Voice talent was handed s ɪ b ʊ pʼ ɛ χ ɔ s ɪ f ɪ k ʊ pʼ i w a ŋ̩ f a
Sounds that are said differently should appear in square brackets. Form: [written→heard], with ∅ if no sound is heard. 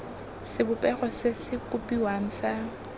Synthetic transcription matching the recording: s ɪ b ʊ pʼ ɛ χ ɔ s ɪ [f→s] ɪ k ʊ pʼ i w a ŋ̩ [f→s] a